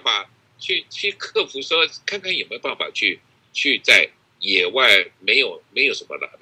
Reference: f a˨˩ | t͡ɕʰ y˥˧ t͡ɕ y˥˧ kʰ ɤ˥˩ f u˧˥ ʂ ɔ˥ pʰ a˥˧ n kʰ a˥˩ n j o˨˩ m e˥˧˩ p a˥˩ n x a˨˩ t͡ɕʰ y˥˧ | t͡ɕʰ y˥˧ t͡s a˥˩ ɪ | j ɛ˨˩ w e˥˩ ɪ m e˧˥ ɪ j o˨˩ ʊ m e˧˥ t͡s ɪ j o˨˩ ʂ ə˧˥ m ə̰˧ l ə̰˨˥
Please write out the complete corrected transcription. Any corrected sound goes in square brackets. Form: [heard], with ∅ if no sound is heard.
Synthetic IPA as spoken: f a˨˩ | t͡ɕʰ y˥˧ [t͡ɕʰ] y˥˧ kʰ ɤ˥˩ f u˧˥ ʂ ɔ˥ [kʰ] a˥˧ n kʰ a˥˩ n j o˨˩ m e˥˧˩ p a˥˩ n [f] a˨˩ t͡ɕʰ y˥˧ | t͡ɕʰ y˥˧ t͡s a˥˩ ɪ | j ɛ˨˩ w [a˥˩] ɪ m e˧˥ ɪ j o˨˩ ʊ m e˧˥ [∅] ɪ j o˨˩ ʂ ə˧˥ m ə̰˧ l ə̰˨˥